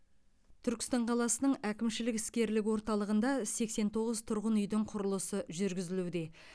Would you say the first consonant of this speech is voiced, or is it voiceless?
voiceless